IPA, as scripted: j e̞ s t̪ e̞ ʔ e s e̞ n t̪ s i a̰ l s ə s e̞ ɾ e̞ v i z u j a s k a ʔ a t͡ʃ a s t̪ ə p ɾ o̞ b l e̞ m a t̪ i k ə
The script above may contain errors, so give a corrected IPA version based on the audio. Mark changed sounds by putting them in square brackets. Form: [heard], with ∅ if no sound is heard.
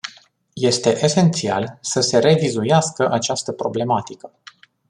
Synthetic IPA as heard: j e̞ s t̪ e̞ ʔ e s e̞ n t̪ s i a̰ l s ə s e̞ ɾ e̞ v i z u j a s k [ə] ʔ a t͡ʃ a s t̪ ə p ɾ o̞ b l e̞ m a t̪ i k ə

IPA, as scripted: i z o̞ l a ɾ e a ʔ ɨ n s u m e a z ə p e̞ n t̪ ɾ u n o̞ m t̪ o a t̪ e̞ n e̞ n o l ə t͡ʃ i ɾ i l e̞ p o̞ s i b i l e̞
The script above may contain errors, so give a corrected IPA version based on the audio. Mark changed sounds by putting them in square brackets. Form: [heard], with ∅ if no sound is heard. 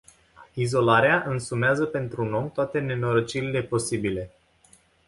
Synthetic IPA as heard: i z o̞ l a ɾ e a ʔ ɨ n s u m e a z ə p e̞ n t̪ ɾ u n o̞ m t̪ o a t̪ e̞ n e̞ n o [ɾ] ə t͡ʃ i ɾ i l e̞ p o̞ s i b i l e̞

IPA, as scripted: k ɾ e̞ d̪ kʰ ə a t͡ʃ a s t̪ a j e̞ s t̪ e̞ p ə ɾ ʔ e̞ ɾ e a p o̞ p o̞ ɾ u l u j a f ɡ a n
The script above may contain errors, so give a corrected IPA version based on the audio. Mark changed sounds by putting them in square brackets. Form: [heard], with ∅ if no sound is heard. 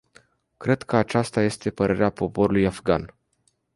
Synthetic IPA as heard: k ɾ e̞ d̪ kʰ ə a t͡ʃ a s t̪ a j e̞ s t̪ e̞ p ə ɾ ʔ e̞ ɾ e a p o̞ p o̞ ɾ u l u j a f ɡ a n

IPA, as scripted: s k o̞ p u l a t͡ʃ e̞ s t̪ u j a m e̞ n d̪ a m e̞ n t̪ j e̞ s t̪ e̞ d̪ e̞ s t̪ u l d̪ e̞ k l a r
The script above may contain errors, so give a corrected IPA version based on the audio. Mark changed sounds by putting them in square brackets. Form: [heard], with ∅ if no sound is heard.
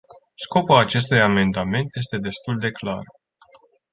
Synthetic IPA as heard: s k o̞ p u l a t͡ʃ e̞ s t̪ u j a m e̞ n d̪ a m e̞ n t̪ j e̞ s t̪ e̞ d̪ e̞ s t̪ u l d̪ e̞ k l a r

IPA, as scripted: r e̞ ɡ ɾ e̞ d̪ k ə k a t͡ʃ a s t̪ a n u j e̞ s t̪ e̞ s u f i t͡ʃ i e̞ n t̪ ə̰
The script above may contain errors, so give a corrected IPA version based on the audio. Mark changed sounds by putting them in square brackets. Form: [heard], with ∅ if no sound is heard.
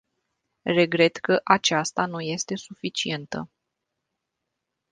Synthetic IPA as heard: r e̞ ɡ ɾ e̞ [t̪] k ə [ʔ] a t͡ʃ a s t̪ a n u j e̞ s t̪ e̞ s u f i t͡ʃ i e̞ n t̪ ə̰

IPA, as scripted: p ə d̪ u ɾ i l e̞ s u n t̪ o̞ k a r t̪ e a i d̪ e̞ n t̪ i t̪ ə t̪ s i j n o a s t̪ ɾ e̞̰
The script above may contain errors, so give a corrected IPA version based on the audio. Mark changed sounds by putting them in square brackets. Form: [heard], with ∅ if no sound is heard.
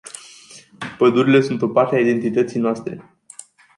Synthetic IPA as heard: p ə d̪ u ɾ i l e̞ s u n t̪ o̞ [p] a r t̪ e a i d̪ e̞ n t̪ i t̪ ə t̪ s i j n o a s t̪ ɾ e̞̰

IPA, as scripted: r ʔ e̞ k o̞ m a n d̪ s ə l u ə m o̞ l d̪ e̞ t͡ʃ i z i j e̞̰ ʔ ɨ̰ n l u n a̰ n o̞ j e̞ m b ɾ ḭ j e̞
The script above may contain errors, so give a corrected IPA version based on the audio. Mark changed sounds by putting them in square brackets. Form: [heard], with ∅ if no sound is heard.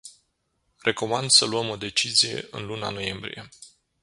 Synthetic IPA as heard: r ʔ e̞ k o̞ m a n d̪ s ə l u ə m o̞ [∅] d̪ e̞ t͡ʃ i z i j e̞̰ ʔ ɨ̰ n l u n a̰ n o̞ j e̞ m b ɾ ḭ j e̞

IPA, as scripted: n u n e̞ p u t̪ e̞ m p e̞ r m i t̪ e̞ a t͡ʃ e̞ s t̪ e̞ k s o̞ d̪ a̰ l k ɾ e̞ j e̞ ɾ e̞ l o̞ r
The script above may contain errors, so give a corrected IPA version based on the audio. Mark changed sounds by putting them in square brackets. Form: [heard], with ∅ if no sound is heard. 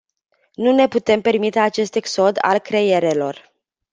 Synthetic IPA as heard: n u n e̞ p u t̪ e̞ m p e̞ r m i t̪ e̞ a t͡ʃ e̞ s t̪ e̞ k s o̞ d̪ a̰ l k ɾ e̞ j e̞ ɾ e̞ l o̞ r

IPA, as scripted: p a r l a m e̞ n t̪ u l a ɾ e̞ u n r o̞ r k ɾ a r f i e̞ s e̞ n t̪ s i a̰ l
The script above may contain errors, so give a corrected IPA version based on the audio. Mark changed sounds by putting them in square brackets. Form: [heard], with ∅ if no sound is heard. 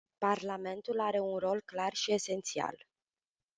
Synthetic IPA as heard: p a r l a m e̞ n t̪ u l a ɾ e̞ u n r o̞ [l] k [l] a r [ʃ] i e̞ s e̞ n t̪ s i a̰ l

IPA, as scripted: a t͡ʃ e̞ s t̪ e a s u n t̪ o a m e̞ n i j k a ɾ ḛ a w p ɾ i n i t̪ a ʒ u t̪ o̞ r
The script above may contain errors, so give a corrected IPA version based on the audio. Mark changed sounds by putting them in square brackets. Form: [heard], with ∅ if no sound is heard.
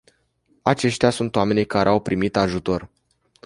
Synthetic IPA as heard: a t͡ʃ e̞ [ʃ] t̪ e a s u n t̪ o a m e̞ n i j k a ɾ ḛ a w p ɾ i [m] i t̪ a ʒ u t̪ o̞ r

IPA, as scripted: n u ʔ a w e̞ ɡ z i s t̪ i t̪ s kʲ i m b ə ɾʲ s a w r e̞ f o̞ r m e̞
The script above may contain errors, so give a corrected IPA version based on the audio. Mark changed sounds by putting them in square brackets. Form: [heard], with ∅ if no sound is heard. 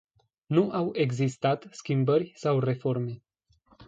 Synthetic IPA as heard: n u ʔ a w e̞ ɡ z i s t̪ [a] t̪ s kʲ i m b ə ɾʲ s a w r e̞ f o̞ r m e̞

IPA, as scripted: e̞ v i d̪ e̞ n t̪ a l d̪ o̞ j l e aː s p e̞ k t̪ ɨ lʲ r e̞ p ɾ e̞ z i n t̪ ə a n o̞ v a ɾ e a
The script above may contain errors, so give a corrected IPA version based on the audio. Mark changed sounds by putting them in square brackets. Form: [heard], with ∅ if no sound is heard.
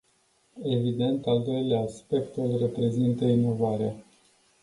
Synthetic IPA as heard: e̞ v i d̪ e̞ n t̪ a l d̪ o̞ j l e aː s p e̞ k t̪ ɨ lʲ r e̞ p ɾ e̞ z i n t̪ ə [i] n o̞ v a ɾ e a

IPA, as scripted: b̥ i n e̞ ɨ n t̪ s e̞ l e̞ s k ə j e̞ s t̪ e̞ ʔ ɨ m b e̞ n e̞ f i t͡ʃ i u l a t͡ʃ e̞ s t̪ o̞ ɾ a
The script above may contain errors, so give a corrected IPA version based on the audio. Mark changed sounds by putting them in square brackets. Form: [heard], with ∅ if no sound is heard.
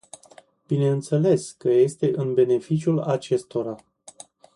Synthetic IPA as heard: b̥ i n e̞ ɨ n t̪ s e̞ l e̞ s k ə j e̞ s t̪ e̞ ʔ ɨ [n] b e̞ n e̞ f i t͡ʃ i u l a t͡ʃ e̞ s t̪ o̞ ɾ a

